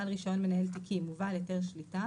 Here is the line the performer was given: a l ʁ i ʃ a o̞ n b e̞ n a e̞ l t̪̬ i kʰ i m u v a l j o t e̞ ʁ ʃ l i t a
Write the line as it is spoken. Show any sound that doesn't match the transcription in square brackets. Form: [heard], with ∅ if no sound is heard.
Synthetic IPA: a l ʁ i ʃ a o̞ n [m] e̞ n a e̞ l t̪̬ i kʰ i m u v a l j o t e̞ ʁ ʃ l i t a